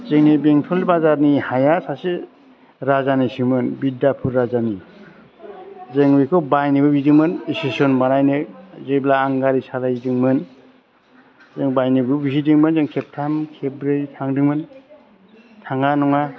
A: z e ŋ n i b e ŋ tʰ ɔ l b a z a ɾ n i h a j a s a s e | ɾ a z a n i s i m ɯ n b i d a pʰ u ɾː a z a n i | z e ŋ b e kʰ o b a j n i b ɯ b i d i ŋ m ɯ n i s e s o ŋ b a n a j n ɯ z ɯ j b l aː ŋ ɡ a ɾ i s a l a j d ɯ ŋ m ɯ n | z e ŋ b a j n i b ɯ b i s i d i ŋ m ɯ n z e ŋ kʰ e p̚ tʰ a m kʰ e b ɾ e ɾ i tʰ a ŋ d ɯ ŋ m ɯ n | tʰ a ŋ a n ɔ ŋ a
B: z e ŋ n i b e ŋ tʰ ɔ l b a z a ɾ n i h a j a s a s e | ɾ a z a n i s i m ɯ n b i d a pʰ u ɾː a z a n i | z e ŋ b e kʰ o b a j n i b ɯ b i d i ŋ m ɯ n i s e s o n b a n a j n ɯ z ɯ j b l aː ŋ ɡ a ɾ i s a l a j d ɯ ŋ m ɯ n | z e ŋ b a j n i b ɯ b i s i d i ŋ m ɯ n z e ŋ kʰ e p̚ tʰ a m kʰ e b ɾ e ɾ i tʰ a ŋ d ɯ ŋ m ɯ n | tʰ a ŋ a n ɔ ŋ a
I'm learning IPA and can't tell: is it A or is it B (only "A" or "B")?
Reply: B